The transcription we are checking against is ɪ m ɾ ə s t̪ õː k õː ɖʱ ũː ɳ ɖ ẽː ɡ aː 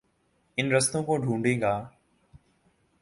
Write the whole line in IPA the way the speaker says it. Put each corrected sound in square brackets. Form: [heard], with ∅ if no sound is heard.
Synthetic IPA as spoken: ɪ [n] ɾ ə s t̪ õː k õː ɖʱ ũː ɳ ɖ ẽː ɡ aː

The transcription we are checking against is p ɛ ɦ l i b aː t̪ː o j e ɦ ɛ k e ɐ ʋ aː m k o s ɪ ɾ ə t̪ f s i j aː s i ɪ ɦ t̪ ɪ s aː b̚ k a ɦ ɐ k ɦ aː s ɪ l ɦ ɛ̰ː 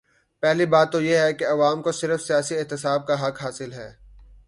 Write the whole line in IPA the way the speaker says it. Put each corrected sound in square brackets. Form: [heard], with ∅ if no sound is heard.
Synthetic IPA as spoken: p ɛ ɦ l i b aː t̪ː o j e ɦ ɛ k e ɐ ʋ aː m k o s ɪ ɾ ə [∅] f s i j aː s i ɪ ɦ t̪ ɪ s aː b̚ k a ɦ ɐ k ɦ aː s ɪ l ɦ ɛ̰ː

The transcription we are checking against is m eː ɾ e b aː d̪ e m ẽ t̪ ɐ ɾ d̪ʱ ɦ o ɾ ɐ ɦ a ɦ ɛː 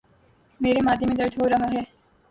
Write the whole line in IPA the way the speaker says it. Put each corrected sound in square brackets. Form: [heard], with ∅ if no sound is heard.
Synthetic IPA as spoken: m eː ɾ e [m] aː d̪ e m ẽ [d̪] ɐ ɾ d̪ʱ ɦ o ɾ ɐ ɦ a ɦ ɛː

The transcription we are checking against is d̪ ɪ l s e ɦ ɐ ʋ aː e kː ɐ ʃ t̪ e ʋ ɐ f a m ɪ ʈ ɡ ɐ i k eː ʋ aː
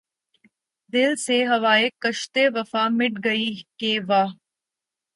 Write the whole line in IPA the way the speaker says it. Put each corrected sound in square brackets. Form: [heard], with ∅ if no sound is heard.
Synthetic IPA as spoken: d̪ ɪ l s e ɦ ɐ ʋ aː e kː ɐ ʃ t̪ e ʋ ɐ f a m ɪ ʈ ɡ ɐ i k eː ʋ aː

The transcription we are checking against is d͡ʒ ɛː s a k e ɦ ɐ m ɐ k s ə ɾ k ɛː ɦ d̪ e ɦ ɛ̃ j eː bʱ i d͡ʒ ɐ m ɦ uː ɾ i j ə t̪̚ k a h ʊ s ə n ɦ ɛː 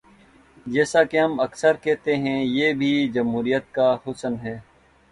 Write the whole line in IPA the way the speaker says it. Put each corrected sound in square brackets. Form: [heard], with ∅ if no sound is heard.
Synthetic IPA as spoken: d͡ʒ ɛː s a k e ɦ ɐ m ɐ k s ə ɾ k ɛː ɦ [t̪] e ɦ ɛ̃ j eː bʱ i d͡ʒ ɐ m ɦ uː ɾ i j ə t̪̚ k a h ʊ s ə n ɦ ɛː

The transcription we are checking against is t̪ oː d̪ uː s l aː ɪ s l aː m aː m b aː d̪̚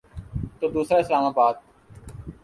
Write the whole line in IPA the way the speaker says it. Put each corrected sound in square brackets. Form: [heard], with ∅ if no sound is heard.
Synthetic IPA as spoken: t̪ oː d̪ uː s [ɾ] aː ɪ s l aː m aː [∅] b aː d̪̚

